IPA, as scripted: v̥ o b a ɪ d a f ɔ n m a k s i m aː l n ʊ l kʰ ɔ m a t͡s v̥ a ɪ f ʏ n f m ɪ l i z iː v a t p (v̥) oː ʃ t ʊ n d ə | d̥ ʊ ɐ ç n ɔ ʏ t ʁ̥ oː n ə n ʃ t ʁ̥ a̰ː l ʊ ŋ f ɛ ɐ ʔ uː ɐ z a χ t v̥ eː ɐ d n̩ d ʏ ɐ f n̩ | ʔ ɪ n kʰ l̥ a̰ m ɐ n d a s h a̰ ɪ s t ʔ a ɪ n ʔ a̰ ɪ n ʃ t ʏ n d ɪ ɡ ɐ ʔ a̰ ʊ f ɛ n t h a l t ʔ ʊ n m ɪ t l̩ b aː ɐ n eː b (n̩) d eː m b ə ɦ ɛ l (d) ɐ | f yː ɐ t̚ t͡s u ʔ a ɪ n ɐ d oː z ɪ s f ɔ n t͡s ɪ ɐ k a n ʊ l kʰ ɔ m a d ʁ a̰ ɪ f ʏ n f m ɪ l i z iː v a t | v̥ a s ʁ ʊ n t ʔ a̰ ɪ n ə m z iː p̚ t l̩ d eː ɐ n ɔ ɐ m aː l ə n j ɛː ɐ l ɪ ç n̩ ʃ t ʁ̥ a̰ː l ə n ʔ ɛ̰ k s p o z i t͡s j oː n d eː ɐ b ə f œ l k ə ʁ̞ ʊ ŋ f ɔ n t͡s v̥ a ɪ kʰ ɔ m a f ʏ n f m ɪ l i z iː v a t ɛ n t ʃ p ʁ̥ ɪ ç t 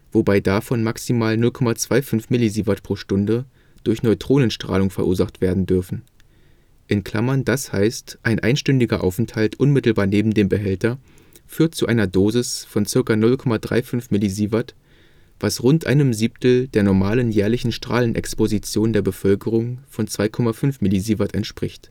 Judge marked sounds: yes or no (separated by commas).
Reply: no, no, no